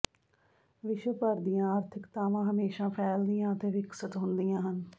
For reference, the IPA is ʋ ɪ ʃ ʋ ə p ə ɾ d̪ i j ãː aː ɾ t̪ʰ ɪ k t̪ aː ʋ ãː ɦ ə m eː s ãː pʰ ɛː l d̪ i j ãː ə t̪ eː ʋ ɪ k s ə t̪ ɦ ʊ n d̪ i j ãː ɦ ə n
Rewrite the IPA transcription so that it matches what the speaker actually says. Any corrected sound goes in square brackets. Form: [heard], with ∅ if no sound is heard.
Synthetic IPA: ʋ ɪ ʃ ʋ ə p ə ɾ d̪ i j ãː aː ɾ t̪ʰ ɪ k t̪ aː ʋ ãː ɦ ə m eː [ʃ] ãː pʰ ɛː l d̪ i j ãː ə t̪ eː ʋ ɪ k s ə t̪ ɦ ʊ n d̪ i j ãː ɦ ə n